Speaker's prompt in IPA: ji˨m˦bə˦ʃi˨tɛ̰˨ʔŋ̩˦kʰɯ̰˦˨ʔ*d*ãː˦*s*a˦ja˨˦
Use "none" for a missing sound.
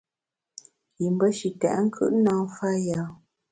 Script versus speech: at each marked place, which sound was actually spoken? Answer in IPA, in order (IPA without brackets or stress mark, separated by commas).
n, f